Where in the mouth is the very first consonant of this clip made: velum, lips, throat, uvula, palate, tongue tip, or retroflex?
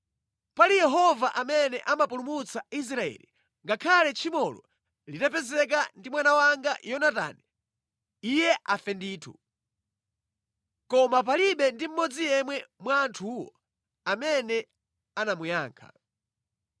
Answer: lips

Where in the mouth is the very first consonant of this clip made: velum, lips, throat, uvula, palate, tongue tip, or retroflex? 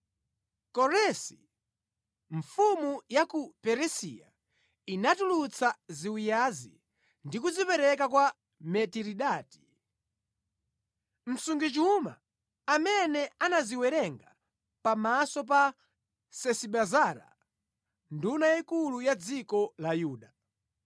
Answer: velum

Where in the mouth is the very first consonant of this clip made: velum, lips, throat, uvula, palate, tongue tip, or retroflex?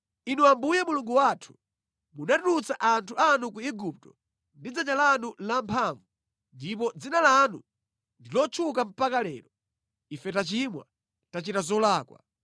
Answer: tongue tip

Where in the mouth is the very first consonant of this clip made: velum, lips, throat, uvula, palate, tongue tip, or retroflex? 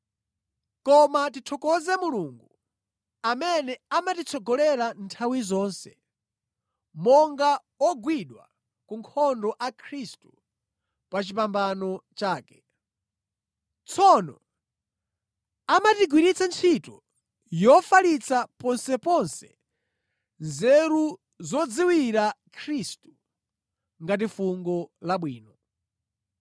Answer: velum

